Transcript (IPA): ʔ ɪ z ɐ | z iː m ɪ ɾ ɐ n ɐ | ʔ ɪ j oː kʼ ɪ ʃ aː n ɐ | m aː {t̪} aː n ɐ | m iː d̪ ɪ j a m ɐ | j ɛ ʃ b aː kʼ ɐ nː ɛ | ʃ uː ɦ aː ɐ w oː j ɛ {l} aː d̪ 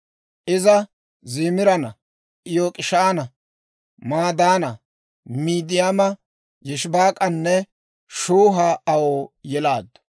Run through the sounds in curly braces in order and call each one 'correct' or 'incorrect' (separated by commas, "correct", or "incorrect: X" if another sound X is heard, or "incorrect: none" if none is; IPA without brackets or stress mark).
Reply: incorrect: d̪, correct